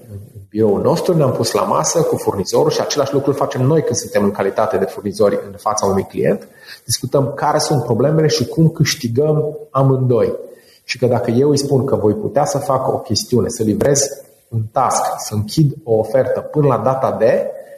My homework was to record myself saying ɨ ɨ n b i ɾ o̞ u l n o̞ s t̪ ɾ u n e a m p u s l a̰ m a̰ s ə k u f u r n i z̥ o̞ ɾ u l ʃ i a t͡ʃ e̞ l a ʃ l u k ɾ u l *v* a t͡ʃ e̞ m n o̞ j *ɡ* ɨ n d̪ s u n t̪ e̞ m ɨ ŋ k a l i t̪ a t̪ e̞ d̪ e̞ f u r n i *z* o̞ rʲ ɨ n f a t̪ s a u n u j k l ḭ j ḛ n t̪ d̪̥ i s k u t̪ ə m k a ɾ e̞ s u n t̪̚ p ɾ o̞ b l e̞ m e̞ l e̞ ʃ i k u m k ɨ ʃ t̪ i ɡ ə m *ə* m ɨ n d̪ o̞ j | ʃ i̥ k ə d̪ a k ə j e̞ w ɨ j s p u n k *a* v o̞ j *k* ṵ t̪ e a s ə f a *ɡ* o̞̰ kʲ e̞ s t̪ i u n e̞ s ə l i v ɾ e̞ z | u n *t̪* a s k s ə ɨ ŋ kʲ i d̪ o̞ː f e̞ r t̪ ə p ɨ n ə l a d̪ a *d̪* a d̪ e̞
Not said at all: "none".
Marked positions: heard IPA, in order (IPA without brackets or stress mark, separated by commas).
f, k, z, a, ə, p, k, t̪, t̪